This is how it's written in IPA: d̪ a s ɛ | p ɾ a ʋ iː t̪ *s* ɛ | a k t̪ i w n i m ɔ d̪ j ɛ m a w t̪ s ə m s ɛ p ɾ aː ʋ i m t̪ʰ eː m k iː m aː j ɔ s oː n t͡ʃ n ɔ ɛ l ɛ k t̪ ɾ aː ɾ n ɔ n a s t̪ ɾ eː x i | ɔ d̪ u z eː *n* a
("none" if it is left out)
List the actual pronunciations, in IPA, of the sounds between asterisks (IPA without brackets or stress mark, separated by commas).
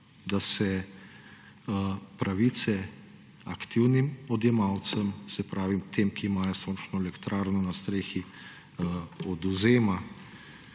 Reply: s, m